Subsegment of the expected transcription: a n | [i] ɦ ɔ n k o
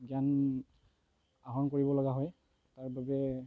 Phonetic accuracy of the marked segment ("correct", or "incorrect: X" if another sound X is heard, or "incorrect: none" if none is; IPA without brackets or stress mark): incorrect: a